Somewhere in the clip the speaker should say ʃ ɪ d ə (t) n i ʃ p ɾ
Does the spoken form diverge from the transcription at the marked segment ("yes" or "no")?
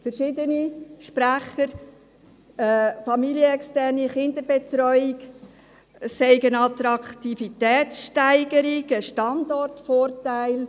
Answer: yes